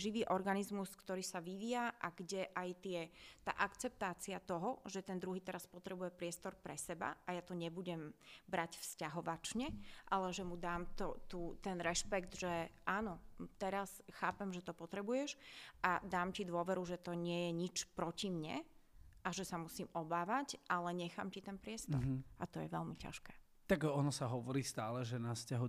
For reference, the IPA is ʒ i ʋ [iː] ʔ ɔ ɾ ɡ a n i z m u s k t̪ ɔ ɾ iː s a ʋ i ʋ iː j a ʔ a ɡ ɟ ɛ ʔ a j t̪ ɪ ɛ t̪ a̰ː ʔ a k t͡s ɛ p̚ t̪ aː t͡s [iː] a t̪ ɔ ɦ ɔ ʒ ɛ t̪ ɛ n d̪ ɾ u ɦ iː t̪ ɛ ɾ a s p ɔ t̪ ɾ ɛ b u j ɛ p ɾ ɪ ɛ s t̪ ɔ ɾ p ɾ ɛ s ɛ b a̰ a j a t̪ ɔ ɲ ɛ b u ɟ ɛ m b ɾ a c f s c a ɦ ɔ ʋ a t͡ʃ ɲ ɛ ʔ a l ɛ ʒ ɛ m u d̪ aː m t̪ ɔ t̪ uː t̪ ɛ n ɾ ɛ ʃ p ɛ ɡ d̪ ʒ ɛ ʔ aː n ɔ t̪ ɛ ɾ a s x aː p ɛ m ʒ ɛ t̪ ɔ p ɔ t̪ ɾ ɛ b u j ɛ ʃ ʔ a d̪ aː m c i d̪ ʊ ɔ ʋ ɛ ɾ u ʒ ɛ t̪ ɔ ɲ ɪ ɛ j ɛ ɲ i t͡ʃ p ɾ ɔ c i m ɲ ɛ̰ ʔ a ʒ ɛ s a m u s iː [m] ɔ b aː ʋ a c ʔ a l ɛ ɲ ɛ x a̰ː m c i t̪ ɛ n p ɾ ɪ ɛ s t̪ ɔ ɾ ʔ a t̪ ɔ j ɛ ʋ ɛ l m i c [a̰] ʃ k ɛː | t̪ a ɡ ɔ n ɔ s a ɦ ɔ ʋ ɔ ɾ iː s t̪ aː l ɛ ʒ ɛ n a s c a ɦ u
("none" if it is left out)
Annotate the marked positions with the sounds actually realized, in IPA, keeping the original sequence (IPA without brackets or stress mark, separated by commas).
iː, i, m, a̰